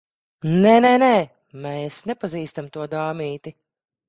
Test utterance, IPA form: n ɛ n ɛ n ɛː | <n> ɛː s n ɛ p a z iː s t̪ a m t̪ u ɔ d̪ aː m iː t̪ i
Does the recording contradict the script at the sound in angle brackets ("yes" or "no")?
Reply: yes